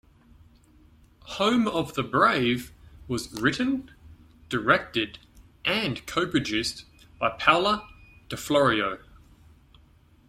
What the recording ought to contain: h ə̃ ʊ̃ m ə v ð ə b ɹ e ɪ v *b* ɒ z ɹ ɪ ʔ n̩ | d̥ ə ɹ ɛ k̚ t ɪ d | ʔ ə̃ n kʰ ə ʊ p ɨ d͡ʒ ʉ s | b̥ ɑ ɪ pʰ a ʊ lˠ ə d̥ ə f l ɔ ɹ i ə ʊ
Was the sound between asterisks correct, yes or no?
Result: no